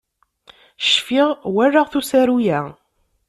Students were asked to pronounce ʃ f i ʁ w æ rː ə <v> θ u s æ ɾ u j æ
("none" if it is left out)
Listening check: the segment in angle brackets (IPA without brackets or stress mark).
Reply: ʁ